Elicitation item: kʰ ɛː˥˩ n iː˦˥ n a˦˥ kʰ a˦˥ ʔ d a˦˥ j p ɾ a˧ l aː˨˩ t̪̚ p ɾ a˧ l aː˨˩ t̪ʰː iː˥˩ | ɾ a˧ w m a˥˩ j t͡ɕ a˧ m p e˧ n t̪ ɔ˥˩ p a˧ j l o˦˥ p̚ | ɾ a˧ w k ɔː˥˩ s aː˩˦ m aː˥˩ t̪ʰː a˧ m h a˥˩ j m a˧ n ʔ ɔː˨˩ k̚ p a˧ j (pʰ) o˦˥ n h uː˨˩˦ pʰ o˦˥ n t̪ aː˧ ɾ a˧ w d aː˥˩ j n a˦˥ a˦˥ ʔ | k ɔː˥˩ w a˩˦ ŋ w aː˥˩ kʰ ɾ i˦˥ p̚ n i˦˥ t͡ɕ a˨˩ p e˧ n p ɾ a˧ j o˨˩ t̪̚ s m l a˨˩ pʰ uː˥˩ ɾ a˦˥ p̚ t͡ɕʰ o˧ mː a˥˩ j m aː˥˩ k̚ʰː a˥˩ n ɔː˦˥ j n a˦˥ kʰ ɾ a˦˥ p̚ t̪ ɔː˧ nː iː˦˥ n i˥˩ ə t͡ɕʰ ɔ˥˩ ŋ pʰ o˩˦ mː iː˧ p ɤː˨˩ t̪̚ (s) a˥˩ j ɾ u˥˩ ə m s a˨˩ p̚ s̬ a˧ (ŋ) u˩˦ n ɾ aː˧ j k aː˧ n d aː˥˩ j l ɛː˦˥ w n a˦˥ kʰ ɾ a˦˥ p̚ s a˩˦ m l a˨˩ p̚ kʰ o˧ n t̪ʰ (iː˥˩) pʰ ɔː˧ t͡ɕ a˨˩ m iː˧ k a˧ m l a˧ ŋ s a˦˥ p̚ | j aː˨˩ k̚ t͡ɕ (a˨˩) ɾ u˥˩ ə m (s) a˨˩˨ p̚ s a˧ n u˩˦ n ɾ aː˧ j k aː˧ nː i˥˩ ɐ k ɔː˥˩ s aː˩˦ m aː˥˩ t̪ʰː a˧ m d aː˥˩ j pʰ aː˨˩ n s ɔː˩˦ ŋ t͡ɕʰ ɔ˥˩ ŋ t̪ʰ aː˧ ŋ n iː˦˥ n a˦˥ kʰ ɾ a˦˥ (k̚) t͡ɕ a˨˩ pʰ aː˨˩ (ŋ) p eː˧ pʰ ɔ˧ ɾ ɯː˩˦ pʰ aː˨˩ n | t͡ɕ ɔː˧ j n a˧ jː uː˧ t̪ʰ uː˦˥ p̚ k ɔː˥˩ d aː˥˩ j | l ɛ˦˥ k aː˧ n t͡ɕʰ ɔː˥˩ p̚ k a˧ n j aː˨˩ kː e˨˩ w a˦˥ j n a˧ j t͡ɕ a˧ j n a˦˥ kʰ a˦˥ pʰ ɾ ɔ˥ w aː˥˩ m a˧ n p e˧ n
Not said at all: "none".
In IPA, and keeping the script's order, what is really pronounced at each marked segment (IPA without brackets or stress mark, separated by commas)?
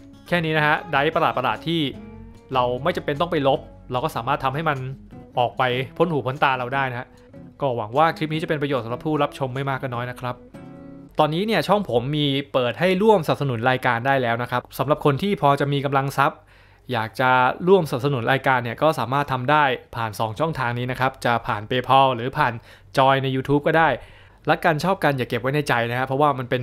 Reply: pʰ, h, n, iː˥˩, a˨˩, s, p̚, n